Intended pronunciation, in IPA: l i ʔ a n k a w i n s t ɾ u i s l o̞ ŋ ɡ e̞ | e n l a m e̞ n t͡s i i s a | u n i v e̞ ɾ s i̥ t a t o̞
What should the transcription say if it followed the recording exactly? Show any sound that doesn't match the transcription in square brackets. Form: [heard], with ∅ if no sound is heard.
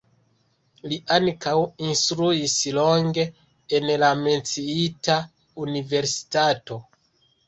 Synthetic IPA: l i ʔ a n k a w i n s t ɾ u i s l o̞ ŋ ɡ e̞ | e n l a m e̞ n t͡s i i [t] a | u n i v e̞ ɾ s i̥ t a t o̞